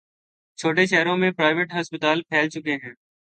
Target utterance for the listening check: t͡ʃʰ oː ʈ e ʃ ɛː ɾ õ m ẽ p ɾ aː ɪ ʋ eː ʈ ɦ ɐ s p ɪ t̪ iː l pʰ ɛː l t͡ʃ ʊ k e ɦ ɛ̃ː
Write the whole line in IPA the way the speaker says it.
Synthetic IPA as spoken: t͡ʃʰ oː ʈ e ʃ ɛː ɾ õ m ẽ p ɾ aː ɪ ʋ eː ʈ ɦ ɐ s p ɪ t̪ aː l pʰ ɛː l t͡ʃ ʊ k e ɦ ɛ̃ː